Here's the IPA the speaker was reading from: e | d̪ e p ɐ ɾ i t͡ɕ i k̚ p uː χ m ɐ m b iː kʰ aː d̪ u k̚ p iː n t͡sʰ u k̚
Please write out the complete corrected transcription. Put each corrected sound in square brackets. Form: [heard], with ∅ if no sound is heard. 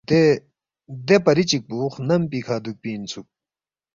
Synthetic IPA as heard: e | d̪ e p ɐ ɾ i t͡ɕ i k̚ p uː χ [n] ɐ m [p] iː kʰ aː d̪ u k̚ p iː n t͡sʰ u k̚